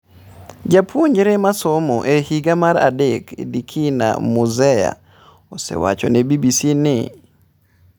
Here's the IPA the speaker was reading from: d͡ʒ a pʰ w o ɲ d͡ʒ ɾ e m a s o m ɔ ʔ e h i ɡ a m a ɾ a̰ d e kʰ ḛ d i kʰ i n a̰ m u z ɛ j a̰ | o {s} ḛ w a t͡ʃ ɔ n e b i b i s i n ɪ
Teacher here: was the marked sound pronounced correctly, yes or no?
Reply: yes